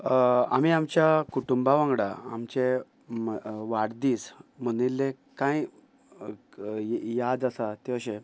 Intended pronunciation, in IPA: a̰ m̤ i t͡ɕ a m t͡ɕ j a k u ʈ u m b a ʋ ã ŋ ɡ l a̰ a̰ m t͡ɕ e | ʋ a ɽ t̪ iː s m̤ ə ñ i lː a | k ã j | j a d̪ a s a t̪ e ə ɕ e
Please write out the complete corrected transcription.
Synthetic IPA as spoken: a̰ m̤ i a m t͡ɕ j a k u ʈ u m b a ʋ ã ŋ ɡ ɽ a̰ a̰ m t͡ɕ e | ʋ a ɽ d̪ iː s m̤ ə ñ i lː e | k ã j | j a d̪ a s a t̪ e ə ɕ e